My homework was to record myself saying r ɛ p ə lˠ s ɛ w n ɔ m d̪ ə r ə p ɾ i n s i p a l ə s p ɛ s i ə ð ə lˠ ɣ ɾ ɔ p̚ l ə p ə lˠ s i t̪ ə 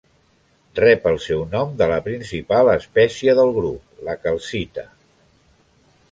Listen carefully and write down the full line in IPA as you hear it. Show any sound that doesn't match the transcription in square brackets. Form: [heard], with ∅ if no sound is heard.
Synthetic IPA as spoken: r ɛ p ə lˠ s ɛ w n ɔ m d̪ ə [l] ə p ɾ i n s i p a l ə s p ɛ s i ə ð ə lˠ ɣ ɾ [u] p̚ l ə [k] ə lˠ s i t̪ ə